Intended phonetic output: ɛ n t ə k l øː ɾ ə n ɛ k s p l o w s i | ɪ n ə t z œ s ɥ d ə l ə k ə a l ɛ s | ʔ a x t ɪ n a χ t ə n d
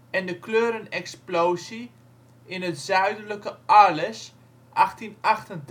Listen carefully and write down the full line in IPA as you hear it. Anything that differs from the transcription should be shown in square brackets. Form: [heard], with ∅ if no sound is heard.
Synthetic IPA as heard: ɛ n [d] ə k l øː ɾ ə n ɛ k s p l o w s i | ɪ n ə t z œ [∅] ɥ d ə l ə k ə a l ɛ s | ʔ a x t [i] n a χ t ə n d